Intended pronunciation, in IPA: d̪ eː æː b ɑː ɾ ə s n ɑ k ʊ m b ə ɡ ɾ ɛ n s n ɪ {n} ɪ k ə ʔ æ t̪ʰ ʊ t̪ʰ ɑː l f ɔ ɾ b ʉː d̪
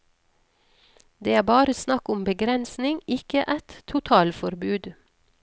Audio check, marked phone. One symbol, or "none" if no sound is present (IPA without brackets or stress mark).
ŋ